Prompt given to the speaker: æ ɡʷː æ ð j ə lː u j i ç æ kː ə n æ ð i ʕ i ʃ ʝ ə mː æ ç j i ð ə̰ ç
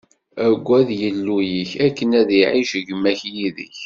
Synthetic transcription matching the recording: æ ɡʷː æ ð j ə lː u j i ç æ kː ə n æ ð i ʕ i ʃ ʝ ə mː æ ç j i ð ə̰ ç